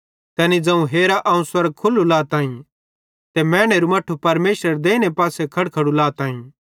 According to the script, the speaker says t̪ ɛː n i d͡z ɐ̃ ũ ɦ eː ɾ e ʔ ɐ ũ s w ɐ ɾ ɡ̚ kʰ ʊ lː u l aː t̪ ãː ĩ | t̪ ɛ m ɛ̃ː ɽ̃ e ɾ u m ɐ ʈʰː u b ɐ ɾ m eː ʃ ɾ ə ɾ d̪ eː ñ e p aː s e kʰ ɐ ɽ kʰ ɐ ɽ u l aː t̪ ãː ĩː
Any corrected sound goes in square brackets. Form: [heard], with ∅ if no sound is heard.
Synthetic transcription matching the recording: t̪ ɛː n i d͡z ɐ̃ ũ ɦ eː ɾ [a] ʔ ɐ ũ s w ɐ ɾ ɡ̚ kʰ ʊ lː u l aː t̪ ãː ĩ | t̪ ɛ m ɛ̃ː ɽ̃ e ɾ u m ɐ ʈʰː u [p] ɐ ɾ m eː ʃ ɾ ə ɾ d̪ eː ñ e p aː s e kʰ ɐ ɽ kʰ ɐ ɽ u l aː t̪ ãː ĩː